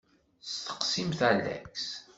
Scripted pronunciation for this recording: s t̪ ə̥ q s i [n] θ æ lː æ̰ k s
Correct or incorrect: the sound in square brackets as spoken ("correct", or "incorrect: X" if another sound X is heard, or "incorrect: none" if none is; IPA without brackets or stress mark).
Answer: incorrect: m